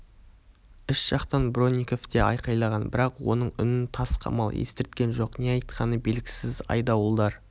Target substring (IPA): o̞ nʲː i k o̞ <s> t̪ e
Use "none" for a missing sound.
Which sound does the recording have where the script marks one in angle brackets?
f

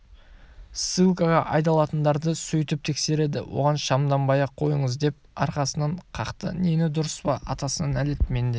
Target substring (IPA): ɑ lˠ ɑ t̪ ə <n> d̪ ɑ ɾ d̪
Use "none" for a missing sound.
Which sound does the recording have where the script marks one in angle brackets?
n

